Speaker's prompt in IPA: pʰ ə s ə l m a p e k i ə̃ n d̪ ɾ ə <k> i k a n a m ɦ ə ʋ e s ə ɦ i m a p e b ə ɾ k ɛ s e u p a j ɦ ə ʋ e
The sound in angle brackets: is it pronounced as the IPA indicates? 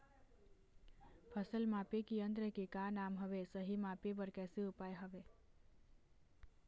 yes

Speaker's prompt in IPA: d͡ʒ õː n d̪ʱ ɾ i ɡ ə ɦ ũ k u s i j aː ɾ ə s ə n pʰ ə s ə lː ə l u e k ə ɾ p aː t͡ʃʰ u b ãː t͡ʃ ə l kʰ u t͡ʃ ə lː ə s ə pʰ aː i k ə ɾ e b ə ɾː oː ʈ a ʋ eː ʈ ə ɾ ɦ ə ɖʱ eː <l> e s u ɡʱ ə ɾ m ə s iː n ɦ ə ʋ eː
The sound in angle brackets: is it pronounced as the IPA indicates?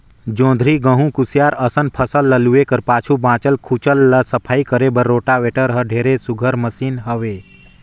no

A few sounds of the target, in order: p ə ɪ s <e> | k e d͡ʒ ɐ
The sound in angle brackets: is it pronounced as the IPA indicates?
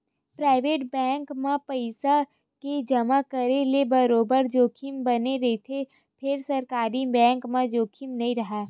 no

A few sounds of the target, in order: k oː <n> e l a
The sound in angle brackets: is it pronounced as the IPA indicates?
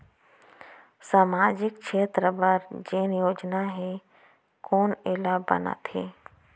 yes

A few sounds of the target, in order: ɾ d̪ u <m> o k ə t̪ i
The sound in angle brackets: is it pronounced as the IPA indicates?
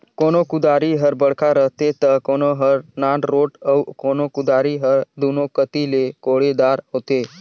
no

